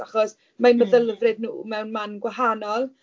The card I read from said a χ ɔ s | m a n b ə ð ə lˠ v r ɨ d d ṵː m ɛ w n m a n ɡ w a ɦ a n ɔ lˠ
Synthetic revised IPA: a χ ɔ s | m a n m ə ð ə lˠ v r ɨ d n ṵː m ɛ w n m a n ɡ w a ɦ a n ɔ lˠ